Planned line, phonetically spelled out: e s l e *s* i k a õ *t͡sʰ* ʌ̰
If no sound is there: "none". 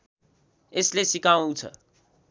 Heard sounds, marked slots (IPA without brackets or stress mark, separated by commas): s, t͡sʰ